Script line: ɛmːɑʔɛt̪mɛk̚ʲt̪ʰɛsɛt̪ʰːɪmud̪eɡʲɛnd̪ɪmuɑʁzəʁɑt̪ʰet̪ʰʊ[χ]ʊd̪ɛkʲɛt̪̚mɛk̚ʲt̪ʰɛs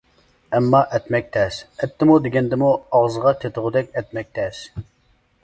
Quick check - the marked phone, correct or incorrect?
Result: incorrect